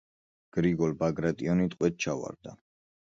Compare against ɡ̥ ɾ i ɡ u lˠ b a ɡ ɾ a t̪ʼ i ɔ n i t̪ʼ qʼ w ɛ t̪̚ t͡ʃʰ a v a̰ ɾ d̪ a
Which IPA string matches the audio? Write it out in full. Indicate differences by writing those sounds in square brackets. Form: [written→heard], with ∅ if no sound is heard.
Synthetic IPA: ɡ̥ ɾ i ɡ [u→ɔ] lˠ b a ɡ ɾ a t̪ʼ i ɔ n i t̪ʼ qʼ w ɛ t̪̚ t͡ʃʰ a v a̰ ɾ d̪ a

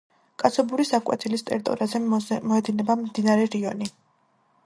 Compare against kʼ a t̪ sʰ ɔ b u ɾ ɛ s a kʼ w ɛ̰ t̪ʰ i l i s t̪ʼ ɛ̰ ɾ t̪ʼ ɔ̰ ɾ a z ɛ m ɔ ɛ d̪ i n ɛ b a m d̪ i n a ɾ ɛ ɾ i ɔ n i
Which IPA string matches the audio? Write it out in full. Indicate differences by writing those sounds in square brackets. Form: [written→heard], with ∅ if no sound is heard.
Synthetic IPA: kʼ a t̪ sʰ ɔ b u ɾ [ɛ→i] s a kʼ w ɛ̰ t̪ʰ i l i s t̪ʼ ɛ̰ ɾ t̪ʼ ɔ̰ ɾ a z ɛ m ɔ ɛ d̪ i n ɛ b a m d̪ i n a ɾ ɛ ɾ i ɔ n i

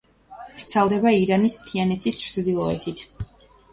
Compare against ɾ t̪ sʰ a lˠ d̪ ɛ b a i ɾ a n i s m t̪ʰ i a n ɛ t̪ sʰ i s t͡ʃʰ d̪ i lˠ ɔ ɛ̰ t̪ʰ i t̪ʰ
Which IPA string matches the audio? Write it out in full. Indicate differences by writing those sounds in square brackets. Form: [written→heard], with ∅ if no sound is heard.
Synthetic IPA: ɾ t̪ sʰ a lˠ d̪ ɛ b a i ɾ a n i s m t̪ʰ i a n ɛ t̪ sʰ i s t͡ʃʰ d̪ i lˠ ɔ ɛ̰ t̪ʰ i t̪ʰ

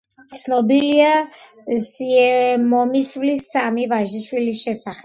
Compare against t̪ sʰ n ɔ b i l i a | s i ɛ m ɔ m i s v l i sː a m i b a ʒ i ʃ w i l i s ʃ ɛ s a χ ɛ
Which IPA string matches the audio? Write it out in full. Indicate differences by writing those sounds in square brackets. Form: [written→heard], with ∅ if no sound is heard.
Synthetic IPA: t̪ sʰ n ɔ b i l i a | s i ɛ m ɔ m i s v l i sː a m i [b→v] a ʒ i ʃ w i l i s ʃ ɛ s a χ ɛ

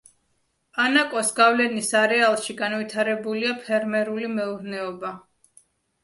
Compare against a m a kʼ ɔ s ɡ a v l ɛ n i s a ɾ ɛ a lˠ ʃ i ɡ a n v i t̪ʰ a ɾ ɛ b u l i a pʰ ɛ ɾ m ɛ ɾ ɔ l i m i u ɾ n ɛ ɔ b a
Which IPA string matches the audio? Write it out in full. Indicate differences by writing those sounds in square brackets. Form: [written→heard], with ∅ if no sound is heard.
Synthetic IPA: a [m→n] a kʼ ɔ s ɡ a v l ɛ n i s a ɾ ɛ a lˠ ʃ i ɡ a n v i t̪ʰ a ɾ ɛ b u l i a pʰ ɛ ɾ m ɛ ɾ [ɔ→u] l i m [i→ɛ] u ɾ n ɛ ɔ b a

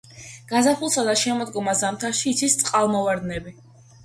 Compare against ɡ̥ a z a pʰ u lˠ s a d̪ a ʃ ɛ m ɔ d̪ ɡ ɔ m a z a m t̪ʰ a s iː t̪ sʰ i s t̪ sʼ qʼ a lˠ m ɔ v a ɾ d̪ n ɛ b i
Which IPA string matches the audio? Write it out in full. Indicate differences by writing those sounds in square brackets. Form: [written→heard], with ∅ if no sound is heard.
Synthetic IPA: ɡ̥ a z a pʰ u lˠ s a d̪ a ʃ ɛ m ɔ d̪ ɡ ɔ m a z a m t̪ʰ a [s→ʃ] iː t̪ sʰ i s t̪ sʼ qʼ a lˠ m ɔ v a ɾ d̪ n ɛ b i

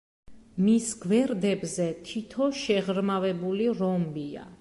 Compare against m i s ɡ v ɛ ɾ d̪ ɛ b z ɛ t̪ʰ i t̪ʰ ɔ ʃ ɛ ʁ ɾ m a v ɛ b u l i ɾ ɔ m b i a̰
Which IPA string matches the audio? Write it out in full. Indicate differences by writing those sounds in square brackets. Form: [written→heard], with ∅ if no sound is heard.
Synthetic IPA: m i s ɡ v ɛ ɾ d̪ ɛ b z ɛ t̪ʰ i t̪ʰ ɔ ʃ ɛ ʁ ɾ m a v ɛ b u l i ɾ ɔ m b i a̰

